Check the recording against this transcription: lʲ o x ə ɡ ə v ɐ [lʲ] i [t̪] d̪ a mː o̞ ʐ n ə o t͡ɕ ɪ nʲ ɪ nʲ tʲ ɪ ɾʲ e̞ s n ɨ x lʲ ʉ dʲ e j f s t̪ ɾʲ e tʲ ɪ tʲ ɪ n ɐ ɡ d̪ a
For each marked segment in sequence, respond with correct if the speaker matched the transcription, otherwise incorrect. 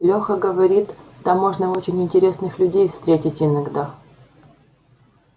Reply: incorrect, correct

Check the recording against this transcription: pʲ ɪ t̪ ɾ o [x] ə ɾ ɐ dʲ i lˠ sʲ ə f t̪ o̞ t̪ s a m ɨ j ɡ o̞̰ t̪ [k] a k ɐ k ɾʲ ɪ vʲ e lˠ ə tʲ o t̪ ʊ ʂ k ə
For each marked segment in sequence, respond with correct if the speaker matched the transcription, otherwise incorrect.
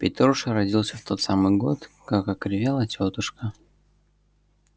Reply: incorrect, correct

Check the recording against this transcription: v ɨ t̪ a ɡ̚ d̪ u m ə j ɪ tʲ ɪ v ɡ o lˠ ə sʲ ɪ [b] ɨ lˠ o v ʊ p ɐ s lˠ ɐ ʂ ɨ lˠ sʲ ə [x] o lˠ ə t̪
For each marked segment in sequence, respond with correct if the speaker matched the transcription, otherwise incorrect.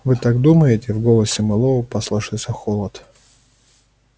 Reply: incorrect, correct

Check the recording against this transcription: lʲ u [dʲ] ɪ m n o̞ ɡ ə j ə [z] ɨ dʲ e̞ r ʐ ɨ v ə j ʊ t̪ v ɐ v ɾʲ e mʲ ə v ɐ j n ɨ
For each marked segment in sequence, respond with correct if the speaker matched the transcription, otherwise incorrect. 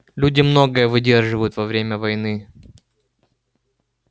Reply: correct, incorrect

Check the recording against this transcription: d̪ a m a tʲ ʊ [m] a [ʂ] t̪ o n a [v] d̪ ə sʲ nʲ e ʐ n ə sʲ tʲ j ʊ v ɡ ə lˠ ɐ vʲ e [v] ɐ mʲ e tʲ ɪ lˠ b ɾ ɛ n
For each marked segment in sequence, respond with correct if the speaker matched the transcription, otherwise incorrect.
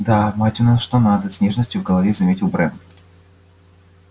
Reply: incorrect, correct, incorrect, incorrect

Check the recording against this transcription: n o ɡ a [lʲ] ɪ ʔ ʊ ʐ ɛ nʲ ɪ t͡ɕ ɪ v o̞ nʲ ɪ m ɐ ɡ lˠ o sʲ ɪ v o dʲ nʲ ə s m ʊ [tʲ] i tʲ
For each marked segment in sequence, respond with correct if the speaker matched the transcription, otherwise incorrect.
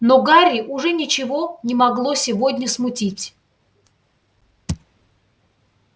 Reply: incorrect, correct

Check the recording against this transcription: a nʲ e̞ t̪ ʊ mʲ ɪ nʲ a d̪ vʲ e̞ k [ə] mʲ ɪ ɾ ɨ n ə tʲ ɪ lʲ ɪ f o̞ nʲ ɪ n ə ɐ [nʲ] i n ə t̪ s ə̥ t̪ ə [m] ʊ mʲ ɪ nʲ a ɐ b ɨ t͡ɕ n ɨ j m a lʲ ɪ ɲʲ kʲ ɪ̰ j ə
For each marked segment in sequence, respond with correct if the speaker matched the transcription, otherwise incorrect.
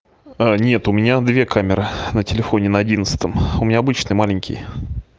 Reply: incorrect, incorrect, correct

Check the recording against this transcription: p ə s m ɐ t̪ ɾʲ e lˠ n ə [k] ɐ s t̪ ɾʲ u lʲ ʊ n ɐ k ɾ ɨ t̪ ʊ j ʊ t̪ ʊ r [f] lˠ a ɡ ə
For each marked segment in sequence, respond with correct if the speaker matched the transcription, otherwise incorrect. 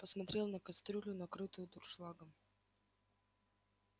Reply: correct, incorrect

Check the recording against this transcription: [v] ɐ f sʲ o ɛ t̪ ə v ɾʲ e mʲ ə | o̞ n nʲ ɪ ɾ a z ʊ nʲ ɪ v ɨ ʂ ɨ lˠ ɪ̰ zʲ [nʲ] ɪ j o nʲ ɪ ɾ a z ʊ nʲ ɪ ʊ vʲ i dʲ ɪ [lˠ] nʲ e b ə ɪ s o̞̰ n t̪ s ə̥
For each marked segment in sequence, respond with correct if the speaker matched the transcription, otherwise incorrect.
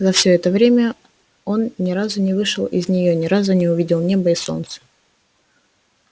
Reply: incorrect, correct, correct

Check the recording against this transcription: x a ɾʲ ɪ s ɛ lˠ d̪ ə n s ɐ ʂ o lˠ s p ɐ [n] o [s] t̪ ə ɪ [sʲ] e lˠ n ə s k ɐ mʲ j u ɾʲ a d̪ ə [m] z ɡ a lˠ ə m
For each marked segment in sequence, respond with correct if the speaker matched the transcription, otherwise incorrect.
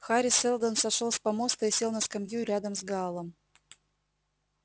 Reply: incorrect, correct, correct, correct

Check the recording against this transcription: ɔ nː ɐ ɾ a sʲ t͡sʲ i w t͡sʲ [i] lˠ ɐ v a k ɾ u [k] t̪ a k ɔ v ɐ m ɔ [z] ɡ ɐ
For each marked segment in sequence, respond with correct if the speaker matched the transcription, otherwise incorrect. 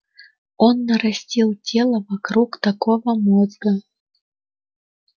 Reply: incorrect, correct, correct

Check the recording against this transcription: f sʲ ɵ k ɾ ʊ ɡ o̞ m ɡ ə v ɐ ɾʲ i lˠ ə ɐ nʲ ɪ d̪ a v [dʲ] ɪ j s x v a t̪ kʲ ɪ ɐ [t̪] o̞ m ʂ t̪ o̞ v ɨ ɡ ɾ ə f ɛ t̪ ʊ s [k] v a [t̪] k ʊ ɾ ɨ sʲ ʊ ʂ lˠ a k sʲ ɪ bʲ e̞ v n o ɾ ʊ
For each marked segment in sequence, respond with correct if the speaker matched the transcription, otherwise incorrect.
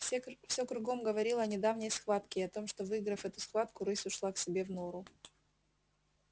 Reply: incorrect, correct, incorrect, correct

